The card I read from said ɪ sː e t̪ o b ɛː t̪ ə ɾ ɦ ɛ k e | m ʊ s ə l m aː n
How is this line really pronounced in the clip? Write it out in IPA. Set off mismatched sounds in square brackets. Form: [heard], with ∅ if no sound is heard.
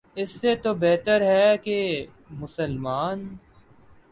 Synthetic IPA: ɪ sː e t̪ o b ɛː t̪ ə ɾ ɦ ɛ k e | m ʊ s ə l m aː n